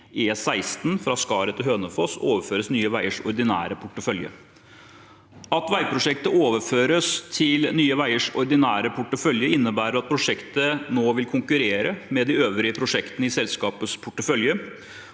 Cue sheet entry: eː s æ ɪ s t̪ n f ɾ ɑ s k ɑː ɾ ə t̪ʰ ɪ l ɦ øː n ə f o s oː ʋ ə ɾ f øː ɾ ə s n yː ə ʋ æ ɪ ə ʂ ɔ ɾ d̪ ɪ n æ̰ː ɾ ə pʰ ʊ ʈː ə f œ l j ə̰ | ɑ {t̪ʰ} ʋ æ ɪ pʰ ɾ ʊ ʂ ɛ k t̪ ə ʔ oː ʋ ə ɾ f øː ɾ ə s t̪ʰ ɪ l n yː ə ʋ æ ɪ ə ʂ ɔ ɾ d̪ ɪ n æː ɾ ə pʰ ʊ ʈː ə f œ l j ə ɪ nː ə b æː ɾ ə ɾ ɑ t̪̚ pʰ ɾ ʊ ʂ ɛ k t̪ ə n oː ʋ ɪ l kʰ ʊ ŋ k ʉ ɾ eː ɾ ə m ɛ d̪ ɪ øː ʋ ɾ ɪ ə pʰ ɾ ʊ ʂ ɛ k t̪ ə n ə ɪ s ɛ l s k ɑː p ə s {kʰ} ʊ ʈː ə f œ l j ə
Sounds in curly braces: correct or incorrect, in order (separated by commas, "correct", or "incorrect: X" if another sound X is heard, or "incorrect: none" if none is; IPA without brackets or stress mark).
incorrect: t̪, incorrect: pʰ